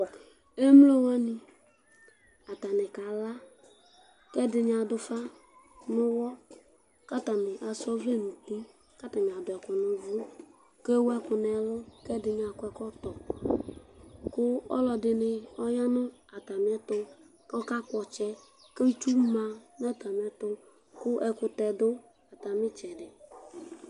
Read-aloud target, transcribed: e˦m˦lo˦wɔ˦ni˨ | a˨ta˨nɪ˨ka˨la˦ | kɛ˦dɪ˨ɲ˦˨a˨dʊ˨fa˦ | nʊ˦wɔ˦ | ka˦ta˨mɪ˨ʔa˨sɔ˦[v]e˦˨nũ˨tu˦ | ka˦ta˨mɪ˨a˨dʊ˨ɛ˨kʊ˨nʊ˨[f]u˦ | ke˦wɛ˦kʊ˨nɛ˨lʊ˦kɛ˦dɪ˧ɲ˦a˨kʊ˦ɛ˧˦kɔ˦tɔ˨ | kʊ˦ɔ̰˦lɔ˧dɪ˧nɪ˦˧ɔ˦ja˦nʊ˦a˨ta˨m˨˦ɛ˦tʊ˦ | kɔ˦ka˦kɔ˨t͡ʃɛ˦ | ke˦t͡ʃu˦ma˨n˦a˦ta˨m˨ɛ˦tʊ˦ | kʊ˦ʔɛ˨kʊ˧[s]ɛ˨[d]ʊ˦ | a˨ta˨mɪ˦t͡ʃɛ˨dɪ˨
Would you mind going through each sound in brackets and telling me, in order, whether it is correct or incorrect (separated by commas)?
correct, incorrect, incorrect, correct